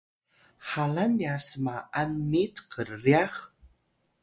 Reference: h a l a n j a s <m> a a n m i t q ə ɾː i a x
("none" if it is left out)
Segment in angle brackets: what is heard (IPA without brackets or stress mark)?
m